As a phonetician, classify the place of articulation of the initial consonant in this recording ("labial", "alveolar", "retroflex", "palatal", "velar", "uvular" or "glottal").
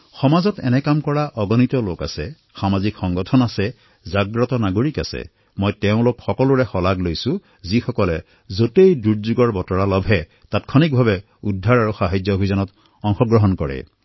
velar